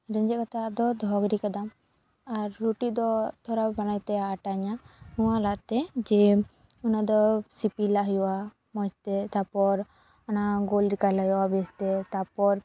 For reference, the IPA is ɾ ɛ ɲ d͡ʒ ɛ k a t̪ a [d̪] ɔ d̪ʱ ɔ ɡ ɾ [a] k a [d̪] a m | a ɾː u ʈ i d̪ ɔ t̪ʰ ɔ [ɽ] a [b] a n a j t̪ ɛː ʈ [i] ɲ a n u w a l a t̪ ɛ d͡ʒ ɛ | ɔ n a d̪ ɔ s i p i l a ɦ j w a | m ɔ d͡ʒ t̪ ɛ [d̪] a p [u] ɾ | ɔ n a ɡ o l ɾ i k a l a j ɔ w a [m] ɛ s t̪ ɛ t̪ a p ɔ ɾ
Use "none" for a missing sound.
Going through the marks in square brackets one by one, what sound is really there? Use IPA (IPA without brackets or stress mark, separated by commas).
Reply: d̪, i, d̪, ɾ, b, a, t̪, ɔ, b